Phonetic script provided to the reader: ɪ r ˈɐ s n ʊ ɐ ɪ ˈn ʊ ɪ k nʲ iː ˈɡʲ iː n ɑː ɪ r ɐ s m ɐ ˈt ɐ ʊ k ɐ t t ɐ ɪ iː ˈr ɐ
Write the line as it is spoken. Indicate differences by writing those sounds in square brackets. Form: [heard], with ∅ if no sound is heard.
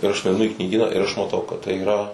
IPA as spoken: ɪ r ˈɐ [ʃ] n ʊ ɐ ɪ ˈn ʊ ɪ k nʲ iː ˈɡʲ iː n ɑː ɪ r ɐ [ʃ] m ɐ ˈt ɐ ʊ k ɐ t t ɐ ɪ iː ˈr ɐ